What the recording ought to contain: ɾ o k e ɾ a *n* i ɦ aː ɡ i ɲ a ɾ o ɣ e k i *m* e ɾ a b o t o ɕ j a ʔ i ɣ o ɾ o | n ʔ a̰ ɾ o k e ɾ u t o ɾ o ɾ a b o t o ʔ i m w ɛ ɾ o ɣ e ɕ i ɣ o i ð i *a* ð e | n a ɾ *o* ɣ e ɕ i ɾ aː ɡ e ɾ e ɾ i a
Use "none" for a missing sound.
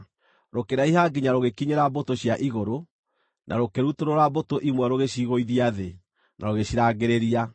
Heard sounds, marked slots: none, ɲ, a, o

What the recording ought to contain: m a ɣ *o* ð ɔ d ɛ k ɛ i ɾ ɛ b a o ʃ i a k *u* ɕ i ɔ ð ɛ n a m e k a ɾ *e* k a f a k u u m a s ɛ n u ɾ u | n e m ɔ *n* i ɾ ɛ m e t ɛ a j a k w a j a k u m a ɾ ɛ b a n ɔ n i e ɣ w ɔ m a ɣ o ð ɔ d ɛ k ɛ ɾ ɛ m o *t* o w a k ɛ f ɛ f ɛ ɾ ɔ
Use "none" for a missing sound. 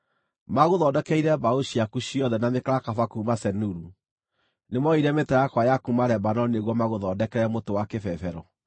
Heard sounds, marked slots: o, u, a, none, t

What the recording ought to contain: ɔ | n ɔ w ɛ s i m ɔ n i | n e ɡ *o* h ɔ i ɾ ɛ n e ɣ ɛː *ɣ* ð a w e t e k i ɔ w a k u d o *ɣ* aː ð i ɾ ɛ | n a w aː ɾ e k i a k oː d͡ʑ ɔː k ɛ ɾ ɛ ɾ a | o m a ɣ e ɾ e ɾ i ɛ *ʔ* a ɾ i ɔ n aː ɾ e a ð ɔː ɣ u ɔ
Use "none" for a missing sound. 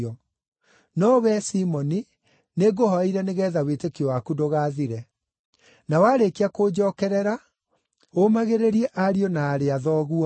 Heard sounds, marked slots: o, none, ɣ, ʔ

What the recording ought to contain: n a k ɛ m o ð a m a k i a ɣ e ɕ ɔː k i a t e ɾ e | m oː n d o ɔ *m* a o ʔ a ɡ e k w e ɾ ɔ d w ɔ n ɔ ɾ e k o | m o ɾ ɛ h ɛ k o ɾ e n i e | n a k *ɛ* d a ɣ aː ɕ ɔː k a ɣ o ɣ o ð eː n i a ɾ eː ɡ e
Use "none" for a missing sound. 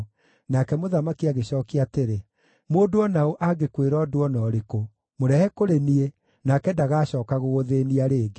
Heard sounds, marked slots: n, ɛ

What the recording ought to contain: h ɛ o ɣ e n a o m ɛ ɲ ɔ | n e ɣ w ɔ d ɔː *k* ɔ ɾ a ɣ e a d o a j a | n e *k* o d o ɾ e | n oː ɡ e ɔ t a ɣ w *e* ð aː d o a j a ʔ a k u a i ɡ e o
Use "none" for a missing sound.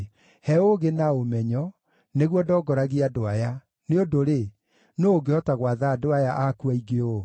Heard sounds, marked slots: ɡ, none, a

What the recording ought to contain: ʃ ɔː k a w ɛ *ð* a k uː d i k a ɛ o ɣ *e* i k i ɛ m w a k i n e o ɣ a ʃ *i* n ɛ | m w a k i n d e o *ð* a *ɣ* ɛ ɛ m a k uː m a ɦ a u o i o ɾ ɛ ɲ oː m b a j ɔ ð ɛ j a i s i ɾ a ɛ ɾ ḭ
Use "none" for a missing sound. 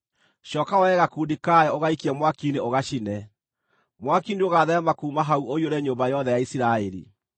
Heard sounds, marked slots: ɣ, a, i, ɣ, ð

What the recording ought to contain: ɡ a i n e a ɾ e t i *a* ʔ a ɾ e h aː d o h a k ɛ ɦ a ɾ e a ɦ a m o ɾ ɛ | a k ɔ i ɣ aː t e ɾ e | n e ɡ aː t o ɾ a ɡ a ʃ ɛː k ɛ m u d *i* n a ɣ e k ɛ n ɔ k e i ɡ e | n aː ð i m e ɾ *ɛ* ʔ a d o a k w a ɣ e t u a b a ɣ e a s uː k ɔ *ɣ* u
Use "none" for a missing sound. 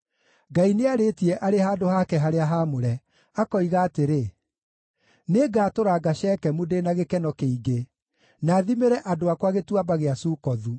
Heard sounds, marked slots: ɛ, e, ɛ, ð

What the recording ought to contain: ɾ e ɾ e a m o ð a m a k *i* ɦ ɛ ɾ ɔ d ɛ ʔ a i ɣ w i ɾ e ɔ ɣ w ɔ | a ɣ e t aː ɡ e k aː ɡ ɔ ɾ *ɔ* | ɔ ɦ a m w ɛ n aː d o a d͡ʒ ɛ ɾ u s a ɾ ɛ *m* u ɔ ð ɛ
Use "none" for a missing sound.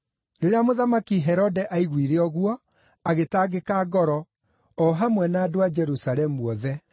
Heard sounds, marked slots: i, ɔ, m

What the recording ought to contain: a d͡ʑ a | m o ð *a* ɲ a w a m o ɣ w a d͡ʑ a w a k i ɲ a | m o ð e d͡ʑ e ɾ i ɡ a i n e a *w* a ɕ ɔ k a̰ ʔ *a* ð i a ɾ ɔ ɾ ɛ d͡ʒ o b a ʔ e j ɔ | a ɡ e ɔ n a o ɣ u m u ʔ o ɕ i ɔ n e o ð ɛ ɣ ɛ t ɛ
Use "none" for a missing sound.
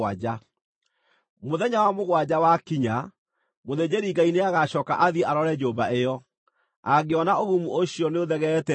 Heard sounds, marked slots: ɛ, ɣ, a

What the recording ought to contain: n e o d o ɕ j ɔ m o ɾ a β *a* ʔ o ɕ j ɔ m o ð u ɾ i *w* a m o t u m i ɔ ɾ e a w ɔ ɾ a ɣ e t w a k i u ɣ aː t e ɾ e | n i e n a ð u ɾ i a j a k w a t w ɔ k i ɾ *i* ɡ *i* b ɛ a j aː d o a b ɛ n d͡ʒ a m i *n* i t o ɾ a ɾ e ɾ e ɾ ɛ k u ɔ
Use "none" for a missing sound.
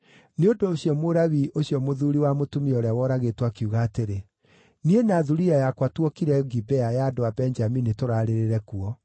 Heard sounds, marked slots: i, w, ɛ, i, n

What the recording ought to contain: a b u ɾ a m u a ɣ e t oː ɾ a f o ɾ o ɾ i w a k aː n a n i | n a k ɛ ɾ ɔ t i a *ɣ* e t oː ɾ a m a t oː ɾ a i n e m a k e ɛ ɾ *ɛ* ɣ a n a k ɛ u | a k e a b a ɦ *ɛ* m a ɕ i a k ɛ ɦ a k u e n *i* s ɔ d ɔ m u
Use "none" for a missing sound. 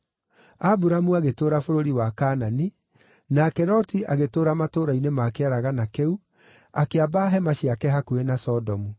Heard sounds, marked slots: ɣ, a, ɛ, a

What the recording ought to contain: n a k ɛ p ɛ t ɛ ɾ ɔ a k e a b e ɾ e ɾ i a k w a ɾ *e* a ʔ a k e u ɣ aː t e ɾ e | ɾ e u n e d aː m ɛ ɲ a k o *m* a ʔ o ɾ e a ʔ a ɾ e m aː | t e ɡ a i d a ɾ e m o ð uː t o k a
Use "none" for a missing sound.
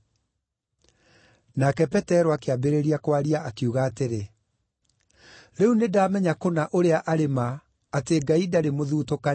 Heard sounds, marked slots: i, n

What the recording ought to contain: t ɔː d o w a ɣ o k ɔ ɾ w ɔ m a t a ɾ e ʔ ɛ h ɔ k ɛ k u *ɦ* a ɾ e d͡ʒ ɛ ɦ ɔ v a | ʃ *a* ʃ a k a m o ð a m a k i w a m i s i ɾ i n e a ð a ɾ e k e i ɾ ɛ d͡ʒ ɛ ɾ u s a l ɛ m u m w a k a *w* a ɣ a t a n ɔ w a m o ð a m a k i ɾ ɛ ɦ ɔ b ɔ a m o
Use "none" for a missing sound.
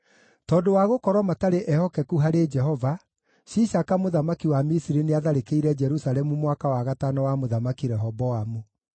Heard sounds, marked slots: ɦ, i, w

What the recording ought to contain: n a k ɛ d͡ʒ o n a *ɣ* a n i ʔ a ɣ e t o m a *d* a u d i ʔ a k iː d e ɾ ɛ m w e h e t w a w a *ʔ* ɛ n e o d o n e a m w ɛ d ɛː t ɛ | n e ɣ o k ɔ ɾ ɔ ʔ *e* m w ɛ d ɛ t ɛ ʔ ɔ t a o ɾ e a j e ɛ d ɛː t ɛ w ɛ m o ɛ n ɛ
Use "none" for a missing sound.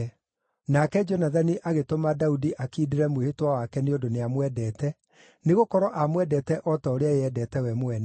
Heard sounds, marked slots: ð, d, k, a

